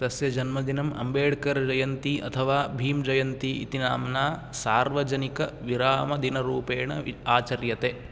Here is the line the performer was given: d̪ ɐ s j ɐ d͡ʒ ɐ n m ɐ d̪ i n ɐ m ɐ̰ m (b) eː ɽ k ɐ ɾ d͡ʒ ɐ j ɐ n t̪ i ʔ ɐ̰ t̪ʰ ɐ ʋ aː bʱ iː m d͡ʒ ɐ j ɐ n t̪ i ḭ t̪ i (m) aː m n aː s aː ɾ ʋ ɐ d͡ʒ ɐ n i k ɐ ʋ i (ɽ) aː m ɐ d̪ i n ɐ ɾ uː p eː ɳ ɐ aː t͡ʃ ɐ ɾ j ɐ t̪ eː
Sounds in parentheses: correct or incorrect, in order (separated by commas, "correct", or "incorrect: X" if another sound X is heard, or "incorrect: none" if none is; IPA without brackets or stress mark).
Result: correct, incorrect: n, incorrect: ɾ